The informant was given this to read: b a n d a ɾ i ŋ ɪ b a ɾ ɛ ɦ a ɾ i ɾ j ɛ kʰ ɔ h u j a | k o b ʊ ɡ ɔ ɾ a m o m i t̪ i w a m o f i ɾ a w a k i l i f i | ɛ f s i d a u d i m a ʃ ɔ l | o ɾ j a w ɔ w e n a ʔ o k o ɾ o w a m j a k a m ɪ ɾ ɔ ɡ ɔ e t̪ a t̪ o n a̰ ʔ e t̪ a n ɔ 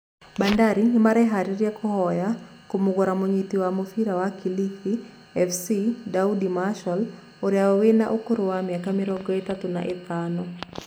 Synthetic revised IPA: b a n d a ɾ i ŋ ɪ m a ɾ ɛ ɦ a ɾ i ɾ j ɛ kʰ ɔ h ɔ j a | k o m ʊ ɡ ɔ ɾ a m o ɲ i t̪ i w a m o f i ɾ a w a k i l i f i | ɛ f s i d a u d i m a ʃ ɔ l | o ɾ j a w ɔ w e n a ʔ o k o ɾ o w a m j a k a m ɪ ɾ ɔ ɡ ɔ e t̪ a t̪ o n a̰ ʔ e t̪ a n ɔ